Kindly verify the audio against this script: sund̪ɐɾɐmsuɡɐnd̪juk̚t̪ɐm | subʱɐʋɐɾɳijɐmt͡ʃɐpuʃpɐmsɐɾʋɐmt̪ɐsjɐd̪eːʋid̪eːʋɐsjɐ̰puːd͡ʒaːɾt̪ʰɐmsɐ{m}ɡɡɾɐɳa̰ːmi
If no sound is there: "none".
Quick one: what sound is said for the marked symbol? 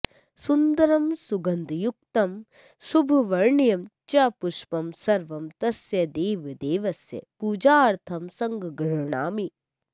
ŋ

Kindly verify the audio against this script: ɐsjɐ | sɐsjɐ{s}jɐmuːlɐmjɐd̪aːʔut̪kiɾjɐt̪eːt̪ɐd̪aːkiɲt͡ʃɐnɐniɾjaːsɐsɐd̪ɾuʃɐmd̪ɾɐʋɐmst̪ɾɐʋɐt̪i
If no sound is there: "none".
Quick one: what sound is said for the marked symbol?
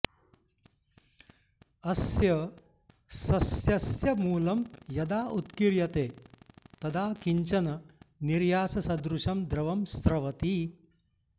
s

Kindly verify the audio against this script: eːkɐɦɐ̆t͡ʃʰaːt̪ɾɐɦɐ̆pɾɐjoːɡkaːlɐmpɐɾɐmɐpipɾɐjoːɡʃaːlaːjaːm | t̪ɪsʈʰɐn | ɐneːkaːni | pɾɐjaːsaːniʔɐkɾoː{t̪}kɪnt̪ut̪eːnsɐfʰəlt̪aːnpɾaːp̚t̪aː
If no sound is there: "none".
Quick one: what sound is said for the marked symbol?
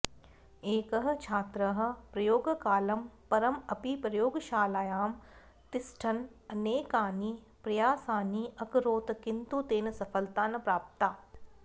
t̪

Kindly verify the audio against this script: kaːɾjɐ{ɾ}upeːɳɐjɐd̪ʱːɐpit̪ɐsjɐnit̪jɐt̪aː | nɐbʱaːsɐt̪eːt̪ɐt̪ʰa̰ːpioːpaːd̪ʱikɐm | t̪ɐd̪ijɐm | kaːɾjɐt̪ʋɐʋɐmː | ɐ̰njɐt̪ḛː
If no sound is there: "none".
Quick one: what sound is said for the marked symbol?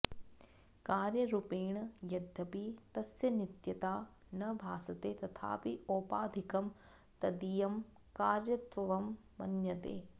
ɾ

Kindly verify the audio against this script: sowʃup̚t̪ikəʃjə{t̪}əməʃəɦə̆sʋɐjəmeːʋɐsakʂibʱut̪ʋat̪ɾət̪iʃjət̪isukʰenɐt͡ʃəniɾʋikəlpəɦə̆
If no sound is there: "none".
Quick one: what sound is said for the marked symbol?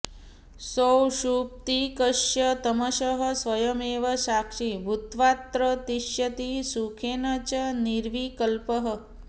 t̪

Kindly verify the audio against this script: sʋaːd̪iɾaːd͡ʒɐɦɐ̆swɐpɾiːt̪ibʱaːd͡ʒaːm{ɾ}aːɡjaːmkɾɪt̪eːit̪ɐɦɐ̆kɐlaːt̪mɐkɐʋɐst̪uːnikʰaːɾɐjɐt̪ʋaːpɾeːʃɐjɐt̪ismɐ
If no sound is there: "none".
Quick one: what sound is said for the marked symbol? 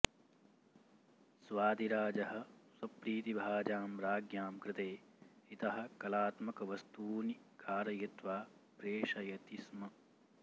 ɾ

